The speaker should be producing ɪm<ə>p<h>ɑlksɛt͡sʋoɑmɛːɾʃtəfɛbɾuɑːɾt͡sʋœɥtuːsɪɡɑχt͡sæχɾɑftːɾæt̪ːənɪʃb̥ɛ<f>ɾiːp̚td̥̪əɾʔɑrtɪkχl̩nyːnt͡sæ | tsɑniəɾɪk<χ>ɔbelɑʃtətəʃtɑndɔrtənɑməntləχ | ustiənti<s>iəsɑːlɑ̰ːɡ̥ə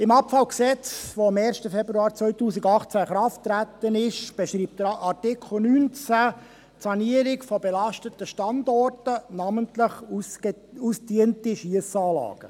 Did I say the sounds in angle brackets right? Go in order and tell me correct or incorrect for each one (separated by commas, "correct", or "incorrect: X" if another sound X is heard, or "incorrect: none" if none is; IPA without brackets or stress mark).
incorrect: ɑ, incorrect: f, incorrect: ʃ, incorrect: f, incorrect: ʃ